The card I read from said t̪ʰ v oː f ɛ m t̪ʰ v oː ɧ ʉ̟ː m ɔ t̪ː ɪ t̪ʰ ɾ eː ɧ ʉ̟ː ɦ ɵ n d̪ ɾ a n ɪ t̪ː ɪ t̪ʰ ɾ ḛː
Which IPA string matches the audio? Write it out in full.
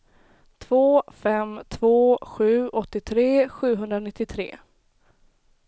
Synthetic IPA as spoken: t̪ʰ v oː f ɛ m t̪ʰ v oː ɧ ʉ̟ː ɔ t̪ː ɪ t̪ʰ ɾ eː ɧ ʉ̟ː ɦ ɵ n d̪ ɾ a n ɪ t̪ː ɪ t̪ʰ ɾ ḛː